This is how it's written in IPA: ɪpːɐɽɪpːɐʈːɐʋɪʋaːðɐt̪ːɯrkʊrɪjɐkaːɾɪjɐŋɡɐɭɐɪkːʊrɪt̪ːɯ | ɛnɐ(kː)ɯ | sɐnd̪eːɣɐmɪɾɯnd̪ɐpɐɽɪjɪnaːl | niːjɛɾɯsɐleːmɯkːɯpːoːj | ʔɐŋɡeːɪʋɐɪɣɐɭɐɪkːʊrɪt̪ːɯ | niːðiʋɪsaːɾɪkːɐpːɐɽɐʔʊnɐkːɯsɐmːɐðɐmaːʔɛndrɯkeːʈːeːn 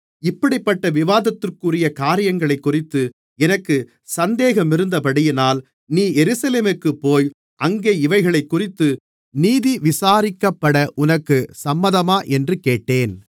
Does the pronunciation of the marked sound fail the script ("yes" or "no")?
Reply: no